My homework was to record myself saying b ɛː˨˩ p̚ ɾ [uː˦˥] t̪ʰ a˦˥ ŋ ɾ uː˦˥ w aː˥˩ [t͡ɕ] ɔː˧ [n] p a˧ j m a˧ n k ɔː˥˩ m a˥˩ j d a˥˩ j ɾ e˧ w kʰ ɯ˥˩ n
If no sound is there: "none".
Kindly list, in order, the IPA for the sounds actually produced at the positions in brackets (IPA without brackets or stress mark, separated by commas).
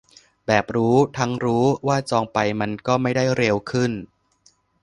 uː˦˥, t͡ɕ, ŋ